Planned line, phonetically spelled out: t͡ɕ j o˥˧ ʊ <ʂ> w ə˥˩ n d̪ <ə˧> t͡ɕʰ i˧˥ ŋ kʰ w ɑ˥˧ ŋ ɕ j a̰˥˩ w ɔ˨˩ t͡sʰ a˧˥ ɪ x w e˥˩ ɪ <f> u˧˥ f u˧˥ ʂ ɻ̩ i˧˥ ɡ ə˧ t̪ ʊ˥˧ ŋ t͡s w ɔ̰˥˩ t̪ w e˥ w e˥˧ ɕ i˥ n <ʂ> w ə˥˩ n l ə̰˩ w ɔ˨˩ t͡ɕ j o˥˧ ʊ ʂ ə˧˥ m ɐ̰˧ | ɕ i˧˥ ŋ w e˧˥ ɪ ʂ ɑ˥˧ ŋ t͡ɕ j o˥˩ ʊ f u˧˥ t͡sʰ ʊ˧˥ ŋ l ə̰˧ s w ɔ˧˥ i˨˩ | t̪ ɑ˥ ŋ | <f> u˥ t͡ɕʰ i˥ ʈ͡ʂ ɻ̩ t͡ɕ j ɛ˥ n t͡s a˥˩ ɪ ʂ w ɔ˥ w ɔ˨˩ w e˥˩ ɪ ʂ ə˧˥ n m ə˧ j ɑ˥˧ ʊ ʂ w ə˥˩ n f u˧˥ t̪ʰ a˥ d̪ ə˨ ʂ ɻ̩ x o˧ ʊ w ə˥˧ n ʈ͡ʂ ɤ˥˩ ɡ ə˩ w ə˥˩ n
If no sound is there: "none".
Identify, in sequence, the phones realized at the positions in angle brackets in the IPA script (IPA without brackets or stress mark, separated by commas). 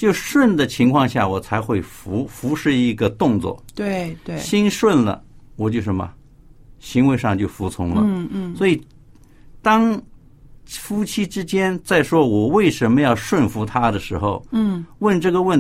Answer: ʂ, ə˩, f, ʂ, f